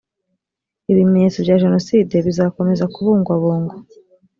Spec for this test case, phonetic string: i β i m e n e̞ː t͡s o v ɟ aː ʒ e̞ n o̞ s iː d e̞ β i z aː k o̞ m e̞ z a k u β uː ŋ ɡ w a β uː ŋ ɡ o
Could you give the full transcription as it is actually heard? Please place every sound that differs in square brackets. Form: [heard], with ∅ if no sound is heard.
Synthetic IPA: i β i m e [ɲ] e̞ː t͡s o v ɟ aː ʒ e̞ n o̞ s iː d e̞ β i z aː k o̞ m e̞ z a k u β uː ŋ ɡ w a β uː ŋ ɡ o